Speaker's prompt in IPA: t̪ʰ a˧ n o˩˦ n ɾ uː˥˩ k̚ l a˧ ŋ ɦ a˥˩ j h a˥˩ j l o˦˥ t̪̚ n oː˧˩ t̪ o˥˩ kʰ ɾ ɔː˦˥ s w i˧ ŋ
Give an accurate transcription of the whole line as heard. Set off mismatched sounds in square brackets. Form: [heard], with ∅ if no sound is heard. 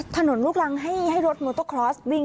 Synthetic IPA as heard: t̪ʰ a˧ n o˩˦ n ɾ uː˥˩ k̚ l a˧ ŋ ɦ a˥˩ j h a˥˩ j [ɾ] o˦˥ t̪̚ [m] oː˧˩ t̪ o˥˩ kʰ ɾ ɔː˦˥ s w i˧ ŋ